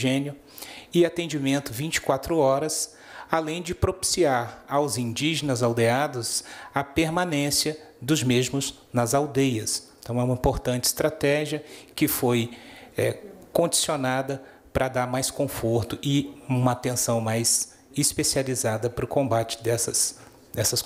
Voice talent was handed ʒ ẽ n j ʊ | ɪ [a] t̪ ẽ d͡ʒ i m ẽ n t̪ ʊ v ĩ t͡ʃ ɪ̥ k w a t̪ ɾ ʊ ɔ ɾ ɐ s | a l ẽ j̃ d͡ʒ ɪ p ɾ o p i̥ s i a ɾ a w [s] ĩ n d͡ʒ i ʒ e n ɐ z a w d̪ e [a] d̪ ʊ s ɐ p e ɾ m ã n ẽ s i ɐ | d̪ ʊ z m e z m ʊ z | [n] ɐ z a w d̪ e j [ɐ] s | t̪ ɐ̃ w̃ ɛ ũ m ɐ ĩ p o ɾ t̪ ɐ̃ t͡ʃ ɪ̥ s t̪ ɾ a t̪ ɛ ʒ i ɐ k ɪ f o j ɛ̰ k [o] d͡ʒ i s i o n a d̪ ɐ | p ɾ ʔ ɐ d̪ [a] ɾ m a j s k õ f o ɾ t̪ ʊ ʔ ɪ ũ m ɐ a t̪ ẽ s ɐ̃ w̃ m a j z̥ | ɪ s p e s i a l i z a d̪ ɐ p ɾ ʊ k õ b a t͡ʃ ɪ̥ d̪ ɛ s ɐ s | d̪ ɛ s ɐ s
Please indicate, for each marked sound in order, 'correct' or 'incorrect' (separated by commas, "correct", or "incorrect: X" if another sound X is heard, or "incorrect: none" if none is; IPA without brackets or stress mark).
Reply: correct, incorrect: z, correct, correct, correct, incorrect: õ, correct